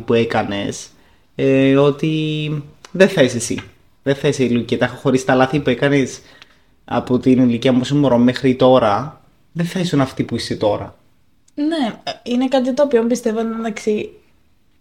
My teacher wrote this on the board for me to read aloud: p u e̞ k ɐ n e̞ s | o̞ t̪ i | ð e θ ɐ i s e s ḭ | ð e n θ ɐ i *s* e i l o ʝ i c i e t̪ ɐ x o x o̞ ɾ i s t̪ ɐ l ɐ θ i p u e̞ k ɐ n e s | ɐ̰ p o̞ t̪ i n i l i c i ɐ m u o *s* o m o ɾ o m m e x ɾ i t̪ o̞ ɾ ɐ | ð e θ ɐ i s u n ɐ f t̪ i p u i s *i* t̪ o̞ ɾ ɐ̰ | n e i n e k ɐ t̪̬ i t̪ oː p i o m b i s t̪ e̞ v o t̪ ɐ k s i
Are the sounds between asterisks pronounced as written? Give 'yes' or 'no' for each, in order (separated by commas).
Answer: yes, yes, no